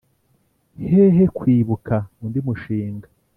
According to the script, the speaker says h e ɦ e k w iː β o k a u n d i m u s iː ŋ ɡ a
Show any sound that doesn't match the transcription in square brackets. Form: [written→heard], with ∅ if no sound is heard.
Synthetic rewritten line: h e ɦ e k w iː β [o→u] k a u n d i m u [s→ʃ] iː ŋ ɡ a